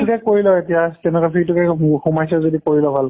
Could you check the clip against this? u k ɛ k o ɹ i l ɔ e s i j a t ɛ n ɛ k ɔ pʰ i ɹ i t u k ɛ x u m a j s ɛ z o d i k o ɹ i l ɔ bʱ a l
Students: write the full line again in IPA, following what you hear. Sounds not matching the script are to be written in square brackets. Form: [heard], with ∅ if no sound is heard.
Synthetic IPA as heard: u k ɛ k o ɹ i l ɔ e [t] i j a t ɛ n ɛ k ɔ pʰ i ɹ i t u k ɛ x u m a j s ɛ z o d i k o ɹ i l ɔ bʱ a l